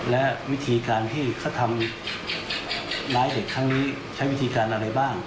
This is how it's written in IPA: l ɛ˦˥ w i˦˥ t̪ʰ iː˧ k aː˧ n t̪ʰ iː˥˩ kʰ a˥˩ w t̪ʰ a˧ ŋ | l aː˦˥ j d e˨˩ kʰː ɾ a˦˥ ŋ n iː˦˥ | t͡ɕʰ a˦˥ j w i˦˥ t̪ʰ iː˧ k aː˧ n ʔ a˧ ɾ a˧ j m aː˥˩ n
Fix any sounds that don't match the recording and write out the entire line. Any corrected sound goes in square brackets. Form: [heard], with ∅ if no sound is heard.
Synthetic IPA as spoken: l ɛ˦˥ w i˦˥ t̪ʰ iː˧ k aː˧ n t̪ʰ iː˥˩ kʰ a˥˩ w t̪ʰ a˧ [m] | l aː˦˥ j d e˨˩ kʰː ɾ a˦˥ ŋ n iː˦˥ | t͡ɕʰ a˦˥ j w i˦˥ t̪ʰ iː˧ k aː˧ n ʔ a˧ ɾ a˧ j [b] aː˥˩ [ŋ]